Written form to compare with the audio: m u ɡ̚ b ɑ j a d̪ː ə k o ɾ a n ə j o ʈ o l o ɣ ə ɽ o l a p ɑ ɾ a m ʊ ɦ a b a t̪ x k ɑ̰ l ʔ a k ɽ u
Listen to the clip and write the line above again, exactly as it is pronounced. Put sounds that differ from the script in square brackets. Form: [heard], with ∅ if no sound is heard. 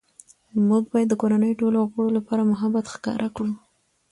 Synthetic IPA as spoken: m u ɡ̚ b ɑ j a d̪ː ə k o ɾ a n ə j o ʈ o l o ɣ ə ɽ o l a p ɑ ɾ a m ʊ ɦ a b a t̪ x k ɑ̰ [ɾ] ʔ a k ɽ u